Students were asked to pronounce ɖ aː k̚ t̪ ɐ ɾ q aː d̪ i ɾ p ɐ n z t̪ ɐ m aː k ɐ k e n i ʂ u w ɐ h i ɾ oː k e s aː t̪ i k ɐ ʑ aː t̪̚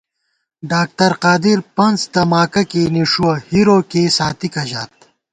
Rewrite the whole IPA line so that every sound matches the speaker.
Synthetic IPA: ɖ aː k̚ t̪ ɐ ɾ q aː d̪ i ɾ p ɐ n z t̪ ɐ m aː k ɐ k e n i ʂ u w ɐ h i ɾ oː k e s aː t̪ i k ɐ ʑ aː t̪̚